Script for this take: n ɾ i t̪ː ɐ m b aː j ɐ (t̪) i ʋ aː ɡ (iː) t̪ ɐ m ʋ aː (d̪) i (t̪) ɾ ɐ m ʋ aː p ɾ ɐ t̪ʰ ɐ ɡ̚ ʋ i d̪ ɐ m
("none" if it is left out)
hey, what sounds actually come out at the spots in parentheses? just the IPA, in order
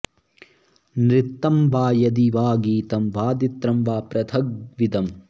d̪, iː, d̪, t̪

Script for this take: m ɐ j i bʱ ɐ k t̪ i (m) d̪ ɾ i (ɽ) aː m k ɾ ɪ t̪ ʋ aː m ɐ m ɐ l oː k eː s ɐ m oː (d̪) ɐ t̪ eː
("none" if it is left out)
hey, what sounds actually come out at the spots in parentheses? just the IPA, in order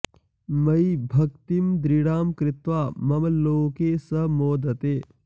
m, ɽ, d̪

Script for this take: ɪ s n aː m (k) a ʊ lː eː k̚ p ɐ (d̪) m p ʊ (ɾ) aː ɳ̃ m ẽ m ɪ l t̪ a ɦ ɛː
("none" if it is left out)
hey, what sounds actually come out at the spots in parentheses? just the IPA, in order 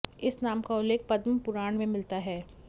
k, d̪, ɾ

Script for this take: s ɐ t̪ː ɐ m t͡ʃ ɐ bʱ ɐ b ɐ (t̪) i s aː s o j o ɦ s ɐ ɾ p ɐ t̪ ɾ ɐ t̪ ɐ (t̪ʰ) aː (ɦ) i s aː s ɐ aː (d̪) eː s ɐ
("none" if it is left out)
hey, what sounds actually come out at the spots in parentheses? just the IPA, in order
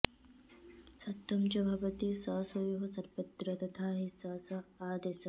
t̪, t̪ʰ, ɦ, d̪

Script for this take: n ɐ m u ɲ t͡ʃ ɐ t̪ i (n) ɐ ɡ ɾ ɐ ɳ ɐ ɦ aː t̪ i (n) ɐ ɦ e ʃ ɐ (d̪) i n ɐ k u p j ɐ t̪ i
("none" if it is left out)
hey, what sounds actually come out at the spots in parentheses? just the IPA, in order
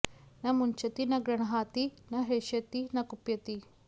n, n, t̪

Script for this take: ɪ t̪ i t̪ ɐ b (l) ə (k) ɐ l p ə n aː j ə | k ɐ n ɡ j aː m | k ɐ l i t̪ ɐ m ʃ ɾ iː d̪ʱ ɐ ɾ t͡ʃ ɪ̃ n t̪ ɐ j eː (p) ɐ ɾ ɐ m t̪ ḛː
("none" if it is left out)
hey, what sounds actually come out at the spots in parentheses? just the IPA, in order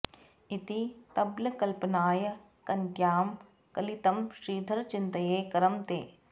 l, k, k

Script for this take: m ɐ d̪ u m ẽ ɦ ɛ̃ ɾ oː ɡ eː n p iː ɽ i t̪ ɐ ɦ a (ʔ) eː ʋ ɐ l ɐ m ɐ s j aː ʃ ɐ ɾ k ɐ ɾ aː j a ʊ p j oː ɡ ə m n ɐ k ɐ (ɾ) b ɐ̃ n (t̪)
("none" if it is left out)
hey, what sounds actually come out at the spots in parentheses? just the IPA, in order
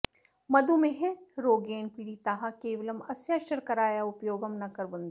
k, ɾ, d̪

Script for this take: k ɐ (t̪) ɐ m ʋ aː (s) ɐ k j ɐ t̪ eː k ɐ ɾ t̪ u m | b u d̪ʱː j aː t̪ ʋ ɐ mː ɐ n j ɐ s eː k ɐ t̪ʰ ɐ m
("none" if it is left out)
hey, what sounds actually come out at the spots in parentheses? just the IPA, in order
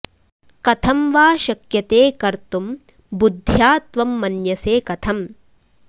t̪ʰ, ʃ

